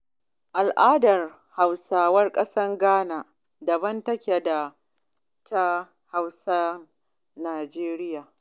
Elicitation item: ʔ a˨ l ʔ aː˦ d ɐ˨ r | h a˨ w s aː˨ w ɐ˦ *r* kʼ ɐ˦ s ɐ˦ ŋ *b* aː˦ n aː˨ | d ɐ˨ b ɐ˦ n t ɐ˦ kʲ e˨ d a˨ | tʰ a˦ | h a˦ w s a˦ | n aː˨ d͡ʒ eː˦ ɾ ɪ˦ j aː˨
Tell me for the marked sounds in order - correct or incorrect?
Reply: correct, incorrect: ɡ

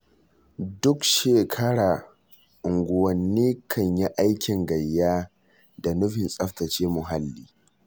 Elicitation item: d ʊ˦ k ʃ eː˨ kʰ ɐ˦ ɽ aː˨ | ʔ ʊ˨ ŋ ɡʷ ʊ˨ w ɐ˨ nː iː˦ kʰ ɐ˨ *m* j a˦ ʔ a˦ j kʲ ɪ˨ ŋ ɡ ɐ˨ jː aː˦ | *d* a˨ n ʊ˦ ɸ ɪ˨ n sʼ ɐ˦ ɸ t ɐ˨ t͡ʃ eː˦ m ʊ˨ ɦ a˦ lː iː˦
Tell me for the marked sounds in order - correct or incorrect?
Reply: incorrect: ɲ, correct

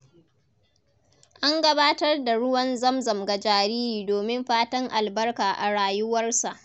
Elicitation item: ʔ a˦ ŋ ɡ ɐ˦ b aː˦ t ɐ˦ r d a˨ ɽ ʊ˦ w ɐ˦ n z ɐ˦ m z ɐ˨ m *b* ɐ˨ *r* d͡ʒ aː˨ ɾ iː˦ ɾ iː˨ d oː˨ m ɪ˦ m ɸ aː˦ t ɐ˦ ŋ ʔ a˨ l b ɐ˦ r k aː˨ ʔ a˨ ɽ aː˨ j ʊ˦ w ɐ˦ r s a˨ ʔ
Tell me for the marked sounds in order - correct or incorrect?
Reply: incorrect: ɡ, incorrect: none

